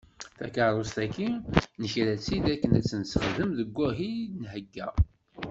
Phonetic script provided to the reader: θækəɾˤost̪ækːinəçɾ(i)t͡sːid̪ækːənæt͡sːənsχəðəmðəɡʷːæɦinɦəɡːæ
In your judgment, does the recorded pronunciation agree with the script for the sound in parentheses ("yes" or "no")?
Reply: no